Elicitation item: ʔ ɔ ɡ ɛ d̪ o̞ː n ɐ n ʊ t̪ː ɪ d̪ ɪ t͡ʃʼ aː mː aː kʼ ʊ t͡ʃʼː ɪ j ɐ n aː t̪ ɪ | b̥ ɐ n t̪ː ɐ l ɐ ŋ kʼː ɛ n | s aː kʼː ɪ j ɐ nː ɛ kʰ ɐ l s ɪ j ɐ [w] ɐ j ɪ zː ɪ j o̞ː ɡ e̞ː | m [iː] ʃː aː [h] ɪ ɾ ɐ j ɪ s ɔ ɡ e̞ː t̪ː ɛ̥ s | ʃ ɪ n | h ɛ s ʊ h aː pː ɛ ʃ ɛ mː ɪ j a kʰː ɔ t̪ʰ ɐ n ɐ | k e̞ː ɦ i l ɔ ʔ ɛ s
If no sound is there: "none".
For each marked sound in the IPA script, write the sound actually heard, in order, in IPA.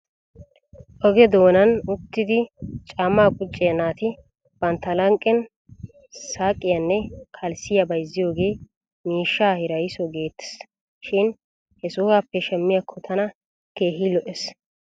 b, iː, h

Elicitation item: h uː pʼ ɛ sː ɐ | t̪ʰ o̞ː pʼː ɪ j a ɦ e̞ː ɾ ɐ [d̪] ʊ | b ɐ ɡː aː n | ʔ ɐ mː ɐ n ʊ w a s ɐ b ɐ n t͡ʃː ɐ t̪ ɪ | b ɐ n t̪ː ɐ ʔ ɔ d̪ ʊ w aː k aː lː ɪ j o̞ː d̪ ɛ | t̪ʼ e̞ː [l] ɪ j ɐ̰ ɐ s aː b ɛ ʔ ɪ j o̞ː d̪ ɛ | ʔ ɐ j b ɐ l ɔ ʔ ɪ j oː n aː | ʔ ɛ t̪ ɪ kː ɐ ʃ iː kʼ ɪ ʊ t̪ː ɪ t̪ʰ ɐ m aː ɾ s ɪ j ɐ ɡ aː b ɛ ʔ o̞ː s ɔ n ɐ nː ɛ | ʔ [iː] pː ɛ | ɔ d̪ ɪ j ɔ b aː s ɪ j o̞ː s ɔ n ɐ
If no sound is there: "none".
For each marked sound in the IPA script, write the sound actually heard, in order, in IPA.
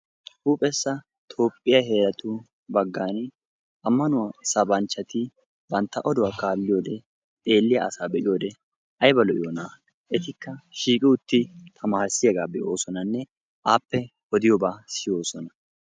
t̪, lː, aː

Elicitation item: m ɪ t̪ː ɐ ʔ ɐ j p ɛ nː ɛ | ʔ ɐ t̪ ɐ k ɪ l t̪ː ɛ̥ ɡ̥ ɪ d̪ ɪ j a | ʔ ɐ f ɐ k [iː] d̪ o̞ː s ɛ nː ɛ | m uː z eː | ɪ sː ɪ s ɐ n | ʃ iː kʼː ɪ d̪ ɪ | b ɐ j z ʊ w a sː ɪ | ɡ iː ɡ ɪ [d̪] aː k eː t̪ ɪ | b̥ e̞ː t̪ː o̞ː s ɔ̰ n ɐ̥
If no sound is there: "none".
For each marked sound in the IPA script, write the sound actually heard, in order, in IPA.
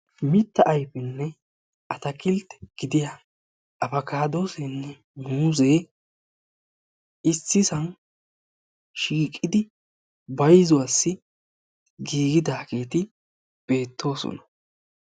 aː, d̪

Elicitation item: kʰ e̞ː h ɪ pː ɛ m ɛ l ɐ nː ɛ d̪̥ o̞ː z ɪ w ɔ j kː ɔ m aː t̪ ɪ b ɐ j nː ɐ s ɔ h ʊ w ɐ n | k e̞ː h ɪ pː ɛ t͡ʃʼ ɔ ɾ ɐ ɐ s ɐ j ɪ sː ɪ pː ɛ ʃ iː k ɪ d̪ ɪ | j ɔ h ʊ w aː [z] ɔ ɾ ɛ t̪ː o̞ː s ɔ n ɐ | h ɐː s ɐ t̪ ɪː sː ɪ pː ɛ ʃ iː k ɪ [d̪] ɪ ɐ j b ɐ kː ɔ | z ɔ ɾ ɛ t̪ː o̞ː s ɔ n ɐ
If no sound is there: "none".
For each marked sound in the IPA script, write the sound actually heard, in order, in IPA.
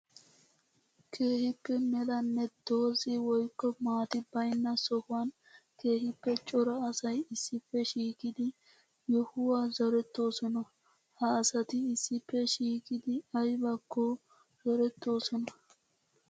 z, d̪

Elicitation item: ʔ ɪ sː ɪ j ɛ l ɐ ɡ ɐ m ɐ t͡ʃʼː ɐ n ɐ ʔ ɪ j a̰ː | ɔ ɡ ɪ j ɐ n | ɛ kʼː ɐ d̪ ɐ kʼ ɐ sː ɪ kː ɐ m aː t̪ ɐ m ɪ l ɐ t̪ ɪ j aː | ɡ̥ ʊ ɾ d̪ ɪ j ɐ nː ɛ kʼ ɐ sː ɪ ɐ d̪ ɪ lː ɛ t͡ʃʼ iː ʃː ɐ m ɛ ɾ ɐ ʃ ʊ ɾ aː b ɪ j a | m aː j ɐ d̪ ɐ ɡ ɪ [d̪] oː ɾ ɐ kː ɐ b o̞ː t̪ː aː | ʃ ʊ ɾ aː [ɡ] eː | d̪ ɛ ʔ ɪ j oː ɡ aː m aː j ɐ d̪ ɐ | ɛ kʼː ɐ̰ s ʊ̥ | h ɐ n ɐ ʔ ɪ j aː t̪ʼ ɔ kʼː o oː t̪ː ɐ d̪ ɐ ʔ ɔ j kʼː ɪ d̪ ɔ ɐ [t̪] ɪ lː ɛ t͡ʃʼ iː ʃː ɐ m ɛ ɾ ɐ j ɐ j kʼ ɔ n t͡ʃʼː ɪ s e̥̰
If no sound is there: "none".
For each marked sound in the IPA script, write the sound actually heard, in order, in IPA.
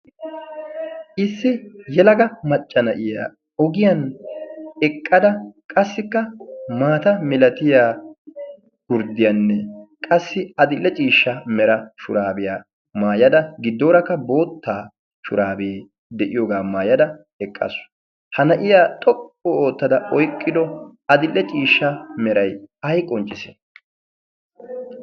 d̪ː, b, d̪

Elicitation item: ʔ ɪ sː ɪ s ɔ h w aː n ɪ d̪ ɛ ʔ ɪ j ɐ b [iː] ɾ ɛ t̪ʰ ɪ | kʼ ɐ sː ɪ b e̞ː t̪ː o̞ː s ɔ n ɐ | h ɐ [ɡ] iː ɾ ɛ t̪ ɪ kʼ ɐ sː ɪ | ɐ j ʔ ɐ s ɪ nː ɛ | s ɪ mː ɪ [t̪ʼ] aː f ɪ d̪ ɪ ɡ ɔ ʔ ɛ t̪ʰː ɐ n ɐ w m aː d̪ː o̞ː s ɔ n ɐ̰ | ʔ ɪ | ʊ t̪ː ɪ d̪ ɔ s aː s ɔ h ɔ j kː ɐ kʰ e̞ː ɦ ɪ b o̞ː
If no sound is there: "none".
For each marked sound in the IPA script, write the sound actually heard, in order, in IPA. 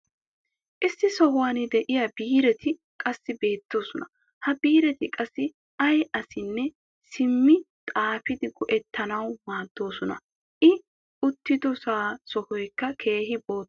iː, b, t̪ʼ

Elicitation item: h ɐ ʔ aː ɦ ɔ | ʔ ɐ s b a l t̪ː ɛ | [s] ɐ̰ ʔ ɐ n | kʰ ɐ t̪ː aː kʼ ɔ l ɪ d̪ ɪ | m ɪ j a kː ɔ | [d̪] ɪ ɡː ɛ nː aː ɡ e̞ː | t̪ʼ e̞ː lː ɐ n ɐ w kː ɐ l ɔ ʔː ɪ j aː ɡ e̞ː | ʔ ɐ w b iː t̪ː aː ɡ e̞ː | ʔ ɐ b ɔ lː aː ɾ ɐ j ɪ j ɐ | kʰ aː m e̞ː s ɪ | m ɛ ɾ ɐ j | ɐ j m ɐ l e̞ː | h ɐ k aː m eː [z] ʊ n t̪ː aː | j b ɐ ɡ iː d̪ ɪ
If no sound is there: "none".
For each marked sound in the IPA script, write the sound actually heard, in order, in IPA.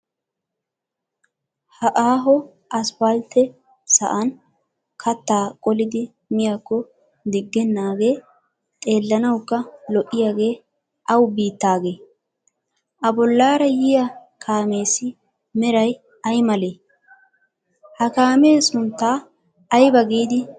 s, d̪, s

